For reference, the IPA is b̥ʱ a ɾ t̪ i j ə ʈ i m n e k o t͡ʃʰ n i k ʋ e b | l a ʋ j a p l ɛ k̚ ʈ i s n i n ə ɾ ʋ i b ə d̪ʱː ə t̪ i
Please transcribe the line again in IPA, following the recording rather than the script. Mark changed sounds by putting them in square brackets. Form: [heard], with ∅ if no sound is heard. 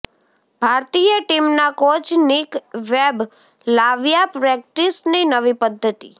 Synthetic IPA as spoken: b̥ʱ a ɾ t̪ i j ə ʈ i m n [a] k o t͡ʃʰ n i k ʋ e b | l a ʋ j a p [ɾ] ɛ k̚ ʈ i s n i n ə [∅] ʋ i [p] ə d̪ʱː ə t̪ i